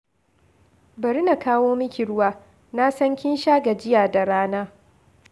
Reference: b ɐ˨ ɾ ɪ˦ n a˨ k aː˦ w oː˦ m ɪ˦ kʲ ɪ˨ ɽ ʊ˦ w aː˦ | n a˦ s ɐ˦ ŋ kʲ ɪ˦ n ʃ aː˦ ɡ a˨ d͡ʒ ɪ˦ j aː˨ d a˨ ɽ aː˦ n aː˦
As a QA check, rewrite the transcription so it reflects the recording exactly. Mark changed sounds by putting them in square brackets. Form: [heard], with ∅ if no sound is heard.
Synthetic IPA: b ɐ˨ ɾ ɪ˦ n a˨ k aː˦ w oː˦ m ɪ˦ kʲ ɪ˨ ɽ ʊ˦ w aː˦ | n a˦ s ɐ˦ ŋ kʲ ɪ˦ n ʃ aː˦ ɡ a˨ d͡ʒ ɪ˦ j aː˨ d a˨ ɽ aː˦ n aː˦